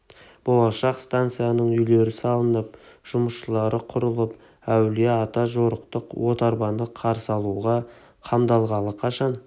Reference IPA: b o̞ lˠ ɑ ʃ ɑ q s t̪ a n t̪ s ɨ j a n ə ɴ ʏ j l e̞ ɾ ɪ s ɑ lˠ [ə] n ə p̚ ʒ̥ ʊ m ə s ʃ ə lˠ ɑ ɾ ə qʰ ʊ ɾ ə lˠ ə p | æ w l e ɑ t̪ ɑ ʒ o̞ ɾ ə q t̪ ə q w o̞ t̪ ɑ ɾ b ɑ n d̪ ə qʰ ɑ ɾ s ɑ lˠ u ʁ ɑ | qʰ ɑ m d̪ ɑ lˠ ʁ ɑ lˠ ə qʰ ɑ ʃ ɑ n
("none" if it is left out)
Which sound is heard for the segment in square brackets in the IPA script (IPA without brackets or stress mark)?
ə